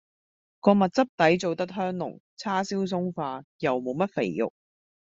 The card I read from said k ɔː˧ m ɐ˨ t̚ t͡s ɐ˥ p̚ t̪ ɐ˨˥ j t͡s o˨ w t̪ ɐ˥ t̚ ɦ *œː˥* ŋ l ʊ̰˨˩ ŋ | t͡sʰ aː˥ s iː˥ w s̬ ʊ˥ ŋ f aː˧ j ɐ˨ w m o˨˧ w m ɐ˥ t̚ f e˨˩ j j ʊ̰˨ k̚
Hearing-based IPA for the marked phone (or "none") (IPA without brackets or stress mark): œː˥